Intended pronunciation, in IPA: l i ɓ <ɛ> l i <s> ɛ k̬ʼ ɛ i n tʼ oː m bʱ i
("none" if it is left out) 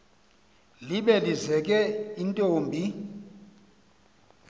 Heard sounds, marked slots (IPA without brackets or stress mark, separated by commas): ɛ, z